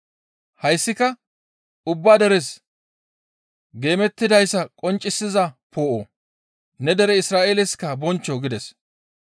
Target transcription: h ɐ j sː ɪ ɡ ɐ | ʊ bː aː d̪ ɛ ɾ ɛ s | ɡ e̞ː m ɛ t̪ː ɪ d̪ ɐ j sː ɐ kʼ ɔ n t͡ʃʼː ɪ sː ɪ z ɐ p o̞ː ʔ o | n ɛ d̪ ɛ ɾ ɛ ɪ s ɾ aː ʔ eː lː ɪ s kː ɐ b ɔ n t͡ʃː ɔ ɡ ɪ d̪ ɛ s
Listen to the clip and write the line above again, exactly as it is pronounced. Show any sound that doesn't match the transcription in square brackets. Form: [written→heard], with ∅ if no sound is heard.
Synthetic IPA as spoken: h ɐ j sː ɪ [ɡ→k] ɐ | ʊ bː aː d̪ ɛ ɾ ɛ s | ɡ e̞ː m ɛ t̪ː ɪ d̪ ɐ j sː ɐ kʼ ɔ n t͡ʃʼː ɪ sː ɪ z ɐ p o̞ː ʔ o | n ɛ d̪ ɛ ɾ ɛ ɪ s ɾ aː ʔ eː [lː→l] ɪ s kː ɐ b ɔ n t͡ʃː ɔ ɡ ɪ d̪ ɛ s